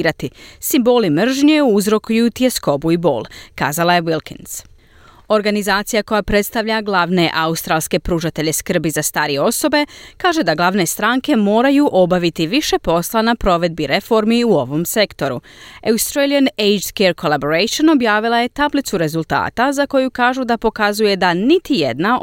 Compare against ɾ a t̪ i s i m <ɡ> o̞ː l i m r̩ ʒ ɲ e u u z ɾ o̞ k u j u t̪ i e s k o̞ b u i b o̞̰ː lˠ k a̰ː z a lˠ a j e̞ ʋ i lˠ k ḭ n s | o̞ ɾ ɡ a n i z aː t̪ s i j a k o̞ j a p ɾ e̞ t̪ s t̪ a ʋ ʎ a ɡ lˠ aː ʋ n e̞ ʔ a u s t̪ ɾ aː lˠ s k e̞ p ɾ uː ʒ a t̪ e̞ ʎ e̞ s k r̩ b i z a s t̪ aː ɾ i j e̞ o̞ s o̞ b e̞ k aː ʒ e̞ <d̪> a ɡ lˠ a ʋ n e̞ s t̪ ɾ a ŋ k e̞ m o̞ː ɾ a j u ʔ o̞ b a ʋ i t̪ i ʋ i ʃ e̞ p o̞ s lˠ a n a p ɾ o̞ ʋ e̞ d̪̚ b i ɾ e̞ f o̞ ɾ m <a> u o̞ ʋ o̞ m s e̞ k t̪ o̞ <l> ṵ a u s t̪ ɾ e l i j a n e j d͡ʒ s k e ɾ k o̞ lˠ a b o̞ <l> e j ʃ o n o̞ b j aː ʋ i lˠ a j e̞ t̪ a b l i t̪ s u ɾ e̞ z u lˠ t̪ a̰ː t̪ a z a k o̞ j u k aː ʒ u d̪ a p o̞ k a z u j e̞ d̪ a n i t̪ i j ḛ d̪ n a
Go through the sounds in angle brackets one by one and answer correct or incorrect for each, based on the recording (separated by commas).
incorrect, correct, incorrect, incorrect, incorrect